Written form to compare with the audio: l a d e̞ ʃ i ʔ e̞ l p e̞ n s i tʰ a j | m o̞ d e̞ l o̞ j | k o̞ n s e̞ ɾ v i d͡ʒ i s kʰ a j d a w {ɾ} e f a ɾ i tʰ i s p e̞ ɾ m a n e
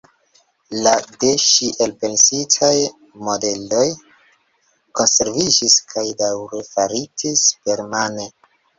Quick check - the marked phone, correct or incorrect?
correct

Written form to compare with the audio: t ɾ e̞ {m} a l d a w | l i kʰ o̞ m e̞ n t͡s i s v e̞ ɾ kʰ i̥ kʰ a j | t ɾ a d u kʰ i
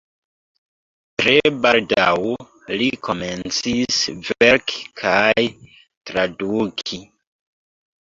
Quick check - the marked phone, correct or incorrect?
incorrect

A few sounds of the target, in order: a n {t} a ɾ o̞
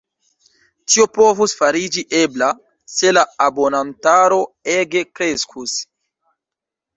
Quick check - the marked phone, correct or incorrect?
correct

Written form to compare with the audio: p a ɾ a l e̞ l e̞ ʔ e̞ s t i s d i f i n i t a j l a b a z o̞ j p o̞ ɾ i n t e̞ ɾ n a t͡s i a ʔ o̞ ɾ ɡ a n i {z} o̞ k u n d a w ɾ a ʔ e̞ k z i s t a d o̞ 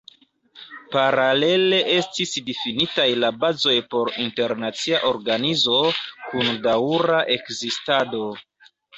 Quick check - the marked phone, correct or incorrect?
correct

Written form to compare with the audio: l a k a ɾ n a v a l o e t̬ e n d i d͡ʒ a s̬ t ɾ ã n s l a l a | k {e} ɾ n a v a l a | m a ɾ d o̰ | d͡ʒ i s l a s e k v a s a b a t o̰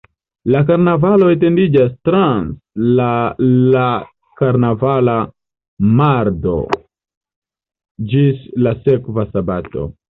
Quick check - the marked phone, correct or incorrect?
incorrect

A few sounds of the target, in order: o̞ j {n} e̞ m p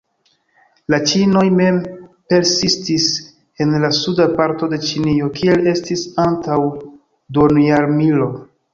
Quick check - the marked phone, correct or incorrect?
incorrect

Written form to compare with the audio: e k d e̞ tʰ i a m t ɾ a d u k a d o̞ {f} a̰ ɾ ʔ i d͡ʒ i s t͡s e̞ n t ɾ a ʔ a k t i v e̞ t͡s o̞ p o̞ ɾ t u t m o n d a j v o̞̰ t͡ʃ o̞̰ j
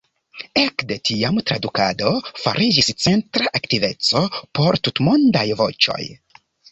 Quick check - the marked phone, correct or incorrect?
correct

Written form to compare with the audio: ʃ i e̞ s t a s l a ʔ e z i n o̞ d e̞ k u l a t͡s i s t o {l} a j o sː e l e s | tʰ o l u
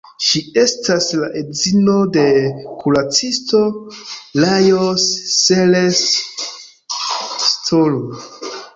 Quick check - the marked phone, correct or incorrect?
correct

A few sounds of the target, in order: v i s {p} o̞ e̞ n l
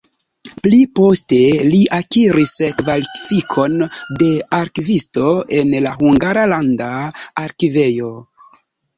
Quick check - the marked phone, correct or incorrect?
incorrect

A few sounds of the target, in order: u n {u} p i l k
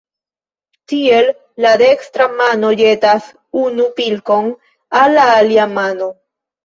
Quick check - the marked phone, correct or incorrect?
correct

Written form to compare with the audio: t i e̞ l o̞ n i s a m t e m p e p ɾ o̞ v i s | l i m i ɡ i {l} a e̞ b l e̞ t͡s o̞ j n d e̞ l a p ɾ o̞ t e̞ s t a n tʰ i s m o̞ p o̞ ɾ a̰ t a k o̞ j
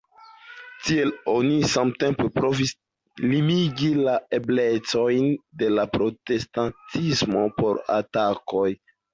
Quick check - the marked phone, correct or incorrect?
correct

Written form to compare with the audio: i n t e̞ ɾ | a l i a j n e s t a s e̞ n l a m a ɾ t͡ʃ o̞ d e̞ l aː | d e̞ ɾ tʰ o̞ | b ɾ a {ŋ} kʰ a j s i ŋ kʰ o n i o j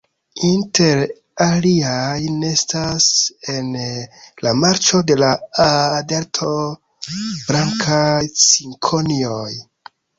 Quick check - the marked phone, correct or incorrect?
correct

